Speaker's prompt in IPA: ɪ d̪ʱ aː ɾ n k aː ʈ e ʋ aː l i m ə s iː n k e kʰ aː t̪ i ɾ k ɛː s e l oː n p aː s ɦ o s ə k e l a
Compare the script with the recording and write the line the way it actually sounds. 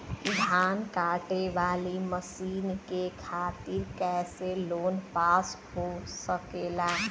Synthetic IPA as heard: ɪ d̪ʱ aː n k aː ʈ e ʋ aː l i m ə s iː n k e kʰ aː t̪ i ɾ k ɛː s e l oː n p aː s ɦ o s ə k e l a